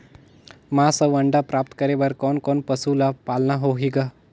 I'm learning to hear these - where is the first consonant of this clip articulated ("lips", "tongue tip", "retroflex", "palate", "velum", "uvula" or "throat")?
lips